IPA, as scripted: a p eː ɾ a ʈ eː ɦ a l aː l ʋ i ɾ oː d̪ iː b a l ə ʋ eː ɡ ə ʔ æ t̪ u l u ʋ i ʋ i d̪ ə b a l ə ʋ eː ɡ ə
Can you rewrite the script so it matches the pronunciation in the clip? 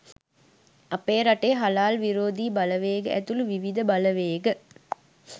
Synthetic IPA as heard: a p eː ɾ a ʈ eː ɦ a l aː l ʋ i ɾ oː d̪ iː b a l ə ʋ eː ɡ ə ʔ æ t̪ u l u ʋ i ʋ i d̪ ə b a l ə ʋ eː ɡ ə